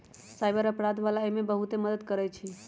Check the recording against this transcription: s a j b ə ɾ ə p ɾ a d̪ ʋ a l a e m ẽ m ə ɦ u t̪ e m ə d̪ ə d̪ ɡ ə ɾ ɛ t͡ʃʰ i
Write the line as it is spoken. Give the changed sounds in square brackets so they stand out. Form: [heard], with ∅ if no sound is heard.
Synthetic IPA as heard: s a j b ə ɾ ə p ɾ a d̪ ʋ a l a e m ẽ [b] ə ɦ u t̪ e m ə d̪ ə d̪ [k] ə ɾ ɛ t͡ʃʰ i